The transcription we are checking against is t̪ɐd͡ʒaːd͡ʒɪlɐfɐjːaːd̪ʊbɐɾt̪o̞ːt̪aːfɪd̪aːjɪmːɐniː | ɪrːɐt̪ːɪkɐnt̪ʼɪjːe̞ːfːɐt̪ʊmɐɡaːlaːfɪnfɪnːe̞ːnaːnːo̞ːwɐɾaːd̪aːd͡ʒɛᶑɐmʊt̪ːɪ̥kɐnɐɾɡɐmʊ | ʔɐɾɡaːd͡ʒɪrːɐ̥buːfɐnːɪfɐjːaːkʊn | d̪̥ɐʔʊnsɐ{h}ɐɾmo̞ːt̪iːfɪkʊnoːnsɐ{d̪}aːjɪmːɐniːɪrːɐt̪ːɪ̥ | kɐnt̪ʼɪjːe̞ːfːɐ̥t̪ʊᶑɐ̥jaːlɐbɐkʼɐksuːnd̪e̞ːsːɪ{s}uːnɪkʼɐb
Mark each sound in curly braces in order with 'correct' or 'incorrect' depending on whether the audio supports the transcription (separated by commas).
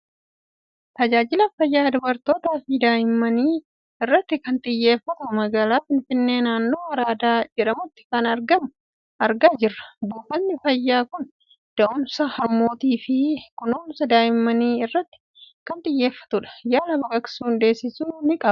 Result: correct, correct, correct